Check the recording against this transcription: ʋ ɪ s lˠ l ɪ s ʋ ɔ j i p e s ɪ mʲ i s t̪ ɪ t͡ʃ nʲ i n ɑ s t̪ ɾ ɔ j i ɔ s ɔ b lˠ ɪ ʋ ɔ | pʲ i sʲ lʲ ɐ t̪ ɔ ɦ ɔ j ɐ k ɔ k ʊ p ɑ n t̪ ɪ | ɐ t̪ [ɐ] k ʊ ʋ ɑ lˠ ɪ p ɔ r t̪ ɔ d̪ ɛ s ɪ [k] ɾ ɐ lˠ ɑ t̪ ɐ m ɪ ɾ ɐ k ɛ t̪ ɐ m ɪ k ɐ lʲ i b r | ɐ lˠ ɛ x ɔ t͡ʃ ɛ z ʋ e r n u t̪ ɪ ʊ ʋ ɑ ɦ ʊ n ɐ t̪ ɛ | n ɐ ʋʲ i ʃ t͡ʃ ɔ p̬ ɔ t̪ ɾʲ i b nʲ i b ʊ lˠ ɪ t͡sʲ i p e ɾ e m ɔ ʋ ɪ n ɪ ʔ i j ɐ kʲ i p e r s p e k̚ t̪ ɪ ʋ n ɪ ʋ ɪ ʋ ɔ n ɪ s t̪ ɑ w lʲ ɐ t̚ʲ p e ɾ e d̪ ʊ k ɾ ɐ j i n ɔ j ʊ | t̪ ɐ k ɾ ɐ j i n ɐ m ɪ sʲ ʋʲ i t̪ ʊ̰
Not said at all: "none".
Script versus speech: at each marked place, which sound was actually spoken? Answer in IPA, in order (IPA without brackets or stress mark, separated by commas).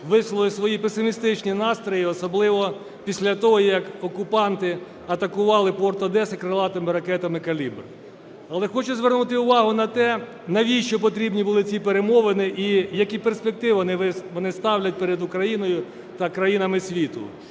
ɐ, k